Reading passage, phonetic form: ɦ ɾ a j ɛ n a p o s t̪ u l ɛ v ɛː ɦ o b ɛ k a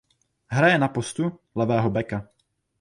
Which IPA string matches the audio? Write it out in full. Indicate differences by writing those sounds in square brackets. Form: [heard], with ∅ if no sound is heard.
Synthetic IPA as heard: ɦ ɾ a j ɛ n a p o s t̪ u l ɛ v ɛː ɦ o b ɛ k a